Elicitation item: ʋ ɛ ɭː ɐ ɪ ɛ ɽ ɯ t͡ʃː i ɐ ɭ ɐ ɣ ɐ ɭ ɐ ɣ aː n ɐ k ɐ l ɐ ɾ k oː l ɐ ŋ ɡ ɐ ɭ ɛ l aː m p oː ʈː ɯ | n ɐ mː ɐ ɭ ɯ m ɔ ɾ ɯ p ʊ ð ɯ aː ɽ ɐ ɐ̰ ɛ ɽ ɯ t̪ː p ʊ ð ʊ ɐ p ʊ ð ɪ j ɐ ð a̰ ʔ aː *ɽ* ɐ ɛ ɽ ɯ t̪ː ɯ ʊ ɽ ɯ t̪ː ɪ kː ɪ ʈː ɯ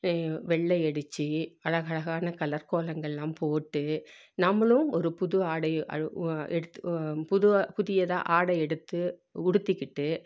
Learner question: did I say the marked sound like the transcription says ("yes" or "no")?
yes